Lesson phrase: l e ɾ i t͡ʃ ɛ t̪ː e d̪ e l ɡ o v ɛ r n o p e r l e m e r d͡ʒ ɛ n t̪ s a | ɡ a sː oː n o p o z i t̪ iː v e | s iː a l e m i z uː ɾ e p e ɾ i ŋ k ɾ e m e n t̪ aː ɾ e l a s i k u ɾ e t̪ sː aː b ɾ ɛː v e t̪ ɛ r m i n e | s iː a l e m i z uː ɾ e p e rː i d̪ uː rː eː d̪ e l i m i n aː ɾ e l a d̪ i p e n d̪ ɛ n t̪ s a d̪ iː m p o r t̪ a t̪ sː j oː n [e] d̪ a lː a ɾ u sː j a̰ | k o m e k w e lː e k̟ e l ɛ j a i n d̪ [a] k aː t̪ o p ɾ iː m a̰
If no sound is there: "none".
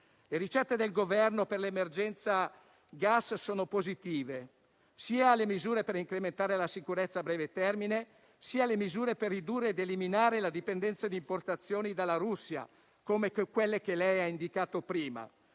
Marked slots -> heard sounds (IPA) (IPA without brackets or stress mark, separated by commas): i, i